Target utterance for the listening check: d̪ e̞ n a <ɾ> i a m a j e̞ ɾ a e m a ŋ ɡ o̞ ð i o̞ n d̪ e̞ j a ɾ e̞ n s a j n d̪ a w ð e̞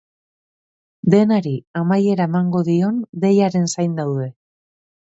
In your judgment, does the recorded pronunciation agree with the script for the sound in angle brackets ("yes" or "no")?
yes